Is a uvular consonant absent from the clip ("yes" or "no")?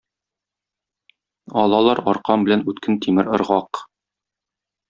no